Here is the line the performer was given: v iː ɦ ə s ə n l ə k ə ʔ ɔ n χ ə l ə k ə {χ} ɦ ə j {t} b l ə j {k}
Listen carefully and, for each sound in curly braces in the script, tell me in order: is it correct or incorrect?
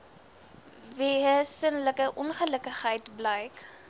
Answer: correct, correct, correct

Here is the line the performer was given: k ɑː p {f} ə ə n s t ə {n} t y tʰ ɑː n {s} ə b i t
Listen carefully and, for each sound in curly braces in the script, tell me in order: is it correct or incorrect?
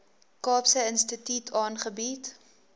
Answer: incorrect, incorrect, incorrect

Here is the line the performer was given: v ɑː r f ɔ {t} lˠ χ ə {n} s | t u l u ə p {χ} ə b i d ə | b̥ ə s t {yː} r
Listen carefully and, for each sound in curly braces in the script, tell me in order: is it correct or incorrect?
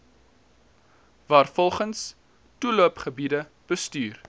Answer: incorrect, correct, correct, correct

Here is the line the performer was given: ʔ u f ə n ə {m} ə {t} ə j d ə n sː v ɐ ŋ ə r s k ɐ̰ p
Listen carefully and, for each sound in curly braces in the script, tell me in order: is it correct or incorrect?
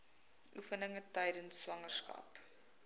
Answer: incorrect, correct

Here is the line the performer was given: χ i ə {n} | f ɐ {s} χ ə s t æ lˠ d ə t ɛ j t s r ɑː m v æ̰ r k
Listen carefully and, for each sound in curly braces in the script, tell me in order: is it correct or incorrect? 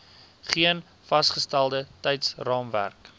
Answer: correct, correct

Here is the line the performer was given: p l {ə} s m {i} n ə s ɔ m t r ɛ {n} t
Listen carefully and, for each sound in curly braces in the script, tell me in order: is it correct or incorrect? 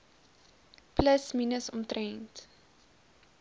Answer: correct, correct, correct

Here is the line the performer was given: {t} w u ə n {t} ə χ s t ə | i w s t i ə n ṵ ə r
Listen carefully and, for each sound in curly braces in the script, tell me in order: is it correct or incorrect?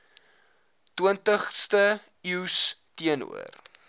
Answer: correct, correct

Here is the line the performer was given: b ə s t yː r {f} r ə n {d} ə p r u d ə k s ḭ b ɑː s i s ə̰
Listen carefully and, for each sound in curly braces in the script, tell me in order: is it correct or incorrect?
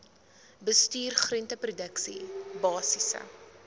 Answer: incorrect, incorrect

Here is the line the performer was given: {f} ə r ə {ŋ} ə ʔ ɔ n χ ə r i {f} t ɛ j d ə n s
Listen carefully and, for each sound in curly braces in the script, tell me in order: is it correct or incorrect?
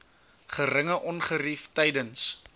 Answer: incorrect, correct, correct

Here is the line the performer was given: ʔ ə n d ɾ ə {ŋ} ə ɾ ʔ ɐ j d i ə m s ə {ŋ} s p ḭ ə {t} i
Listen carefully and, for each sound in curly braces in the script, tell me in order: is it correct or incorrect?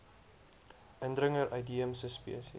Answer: correct, incorrect, incorrect

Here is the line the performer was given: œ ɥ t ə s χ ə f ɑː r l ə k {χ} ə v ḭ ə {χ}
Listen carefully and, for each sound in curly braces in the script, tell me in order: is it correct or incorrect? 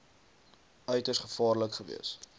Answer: correct, incorrect

